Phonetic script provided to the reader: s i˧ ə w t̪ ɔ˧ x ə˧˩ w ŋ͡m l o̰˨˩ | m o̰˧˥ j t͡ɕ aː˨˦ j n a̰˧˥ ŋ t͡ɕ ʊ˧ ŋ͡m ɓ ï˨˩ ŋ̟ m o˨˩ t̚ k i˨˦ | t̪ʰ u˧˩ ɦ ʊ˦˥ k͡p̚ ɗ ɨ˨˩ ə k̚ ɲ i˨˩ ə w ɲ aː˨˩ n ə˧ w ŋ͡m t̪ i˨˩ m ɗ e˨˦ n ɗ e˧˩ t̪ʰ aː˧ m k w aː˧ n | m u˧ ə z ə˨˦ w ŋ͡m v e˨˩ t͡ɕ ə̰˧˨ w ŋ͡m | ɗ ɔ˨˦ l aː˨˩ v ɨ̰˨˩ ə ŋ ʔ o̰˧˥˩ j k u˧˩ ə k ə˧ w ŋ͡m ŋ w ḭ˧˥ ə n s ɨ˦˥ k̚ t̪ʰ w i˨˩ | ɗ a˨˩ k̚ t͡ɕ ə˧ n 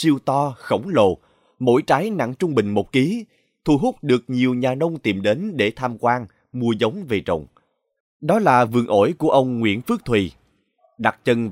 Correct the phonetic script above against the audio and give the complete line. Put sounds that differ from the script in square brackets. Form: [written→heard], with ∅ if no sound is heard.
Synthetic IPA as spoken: s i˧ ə w t̪ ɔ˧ x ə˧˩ w ŋ͡m l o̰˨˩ | m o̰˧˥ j t͡ɕ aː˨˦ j n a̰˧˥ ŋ t͡ɕ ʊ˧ ŋ͡m ɓ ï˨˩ ŋ̟ m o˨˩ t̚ k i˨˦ | t̪ʰ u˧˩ ɦ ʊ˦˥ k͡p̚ ɗ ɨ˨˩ ə k̚ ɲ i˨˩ ə w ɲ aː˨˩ n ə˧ w ŋ͡m t̪ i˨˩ m ɗ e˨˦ n ɗ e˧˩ t̪ʰ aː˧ m k w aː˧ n | m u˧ ə z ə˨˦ w ŋ͡m v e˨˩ t͡ɕ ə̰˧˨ w ŋ͡m | ɗ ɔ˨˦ l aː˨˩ v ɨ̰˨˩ ə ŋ ʔ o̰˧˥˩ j k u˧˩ ə [k→ʔ] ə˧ w ŋ͡m ŋ w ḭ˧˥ ə n [s→f] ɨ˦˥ k̚ t̪ʰ w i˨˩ | ɗ a˨˩ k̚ t͡ɕ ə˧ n